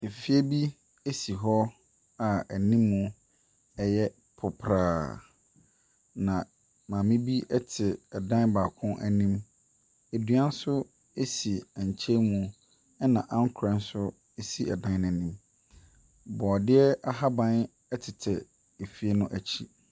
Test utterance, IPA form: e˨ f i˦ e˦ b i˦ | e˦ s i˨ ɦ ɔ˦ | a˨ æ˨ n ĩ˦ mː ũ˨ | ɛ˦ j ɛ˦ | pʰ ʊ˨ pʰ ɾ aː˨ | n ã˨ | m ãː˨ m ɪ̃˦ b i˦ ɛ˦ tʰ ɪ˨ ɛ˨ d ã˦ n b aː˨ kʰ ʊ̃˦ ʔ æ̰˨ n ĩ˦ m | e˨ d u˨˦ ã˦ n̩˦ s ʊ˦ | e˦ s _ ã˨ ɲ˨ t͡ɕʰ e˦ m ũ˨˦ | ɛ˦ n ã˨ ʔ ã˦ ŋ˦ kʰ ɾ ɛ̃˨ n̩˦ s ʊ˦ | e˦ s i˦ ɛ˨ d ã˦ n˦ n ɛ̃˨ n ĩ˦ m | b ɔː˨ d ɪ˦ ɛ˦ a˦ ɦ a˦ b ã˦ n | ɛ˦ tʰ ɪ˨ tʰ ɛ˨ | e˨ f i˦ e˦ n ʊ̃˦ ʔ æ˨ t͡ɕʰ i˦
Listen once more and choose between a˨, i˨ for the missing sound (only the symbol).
i˨